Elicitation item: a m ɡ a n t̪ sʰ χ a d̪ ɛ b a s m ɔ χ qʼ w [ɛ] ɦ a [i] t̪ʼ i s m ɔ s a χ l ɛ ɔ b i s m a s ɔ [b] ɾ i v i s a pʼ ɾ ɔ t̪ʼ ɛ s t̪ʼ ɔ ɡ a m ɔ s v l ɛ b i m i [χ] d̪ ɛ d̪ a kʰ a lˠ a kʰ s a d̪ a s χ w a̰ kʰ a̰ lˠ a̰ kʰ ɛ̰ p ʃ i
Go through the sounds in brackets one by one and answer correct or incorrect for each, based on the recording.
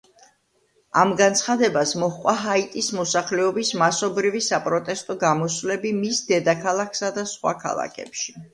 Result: incorrect: a, correct, correct, incorrect: s

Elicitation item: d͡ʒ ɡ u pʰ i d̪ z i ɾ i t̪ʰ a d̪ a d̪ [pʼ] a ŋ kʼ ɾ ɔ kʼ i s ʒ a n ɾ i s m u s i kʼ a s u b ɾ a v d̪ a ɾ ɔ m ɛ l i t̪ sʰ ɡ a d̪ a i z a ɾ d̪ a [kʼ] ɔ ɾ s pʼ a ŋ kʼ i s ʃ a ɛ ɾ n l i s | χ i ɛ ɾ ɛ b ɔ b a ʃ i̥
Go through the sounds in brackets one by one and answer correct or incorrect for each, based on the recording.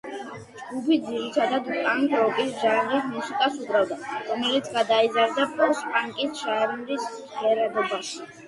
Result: correct, incorrect: pʼ

